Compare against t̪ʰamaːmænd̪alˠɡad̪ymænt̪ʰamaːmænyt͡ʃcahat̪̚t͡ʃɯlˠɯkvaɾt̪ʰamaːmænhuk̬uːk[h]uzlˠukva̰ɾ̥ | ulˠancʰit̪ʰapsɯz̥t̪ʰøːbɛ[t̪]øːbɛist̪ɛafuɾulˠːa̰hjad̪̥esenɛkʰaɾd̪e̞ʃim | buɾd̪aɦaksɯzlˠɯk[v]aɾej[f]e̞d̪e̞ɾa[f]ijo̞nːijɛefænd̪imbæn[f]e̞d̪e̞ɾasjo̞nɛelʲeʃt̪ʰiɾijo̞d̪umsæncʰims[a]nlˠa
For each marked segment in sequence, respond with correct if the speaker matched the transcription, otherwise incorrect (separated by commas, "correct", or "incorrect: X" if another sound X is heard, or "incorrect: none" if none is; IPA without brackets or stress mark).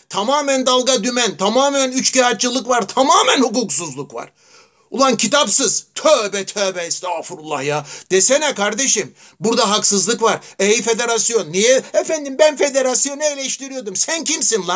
incorrect: s, incorrect: t̪ʰ, correct, correct, incorrect: s, correct, incorrect: i